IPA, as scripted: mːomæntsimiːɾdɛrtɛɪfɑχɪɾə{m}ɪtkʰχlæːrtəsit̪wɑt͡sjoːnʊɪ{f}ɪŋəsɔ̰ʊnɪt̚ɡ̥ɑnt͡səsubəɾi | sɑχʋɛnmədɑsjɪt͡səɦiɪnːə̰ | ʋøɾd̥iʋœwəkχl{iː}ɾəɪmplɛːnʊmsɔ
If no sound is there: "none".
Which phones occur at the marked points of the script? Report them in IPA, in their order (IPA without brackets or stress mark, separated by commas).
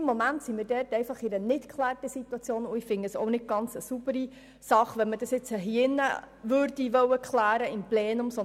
n, f, æː